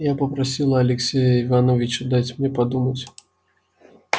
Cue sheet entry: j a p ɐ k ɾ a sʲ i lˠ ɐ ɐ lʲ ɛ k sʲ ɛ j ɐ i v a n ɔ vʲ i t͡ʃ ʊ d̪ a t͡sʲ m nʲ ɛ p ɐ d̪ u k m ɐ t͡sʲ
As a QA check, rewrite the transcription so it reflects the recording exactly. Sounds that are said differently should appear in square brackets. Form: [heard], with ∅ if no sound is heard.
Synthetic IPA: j a p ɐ [p] ɾ a sʲ i lˠ ɐ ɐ lʲ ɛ k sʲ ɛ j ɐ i v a n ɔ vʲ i t͡ʃ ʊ d̪ a t͡sʲ m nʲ ɛ p [a] d̪ u [∅] m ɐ t͡sʲ